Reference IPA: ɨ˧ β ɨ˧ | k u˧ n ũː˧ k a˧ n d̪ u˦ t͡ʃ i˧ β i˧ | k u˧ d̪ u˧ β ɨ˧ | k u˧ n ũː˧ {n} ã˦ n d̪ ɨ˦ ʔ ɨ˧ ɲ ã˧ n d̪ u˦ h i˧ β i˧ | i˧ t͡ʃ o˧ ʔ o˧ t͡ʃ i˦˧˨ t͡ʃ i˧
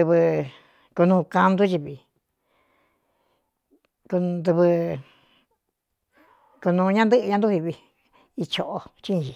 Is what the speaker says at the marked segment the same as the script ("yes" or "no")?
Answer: no